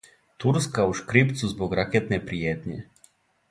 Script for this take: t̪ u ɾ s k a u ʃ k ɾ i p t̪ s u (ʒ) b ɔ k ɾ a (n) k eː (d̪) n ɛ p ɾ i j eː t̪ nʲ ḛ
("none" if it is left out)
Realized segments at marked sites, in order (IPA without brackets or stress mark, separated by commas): z, none, t̪